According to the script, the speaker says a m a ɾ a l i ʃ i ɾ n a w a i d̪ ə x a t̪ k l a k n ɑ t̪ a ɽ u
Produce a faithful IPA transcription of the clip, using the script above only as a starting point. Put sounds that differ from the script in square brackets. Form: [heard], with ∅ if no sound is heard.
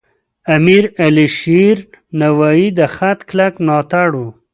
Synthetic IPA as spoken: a m [i] ɾ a l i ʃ i ɾ n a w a i d̪ ə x a t̪ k l a k n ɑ t̪ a ɽ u